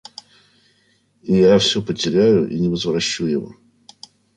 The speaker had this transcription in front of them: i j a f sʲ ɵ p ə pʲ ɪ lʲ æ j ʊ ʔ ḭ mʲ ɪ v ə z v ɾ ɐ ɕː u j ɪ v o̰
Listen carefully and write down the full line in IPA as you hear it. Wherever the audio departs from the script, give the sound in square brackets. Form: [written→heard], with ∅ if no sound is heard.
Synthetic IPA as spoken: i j a f sʲ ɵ p ə [pʲ→tʲ] ɪ [lʲ→ɾʲ] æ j ʊ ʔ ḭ [mʲ→nʲ] ɪ v ə z v ɾ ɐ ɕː u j ɪ v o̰